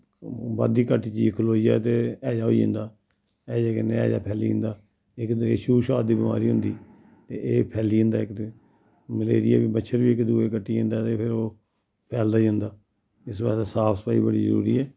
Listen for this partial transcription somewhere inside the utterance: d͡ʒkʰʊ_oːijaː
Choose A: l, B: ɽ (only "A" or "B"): A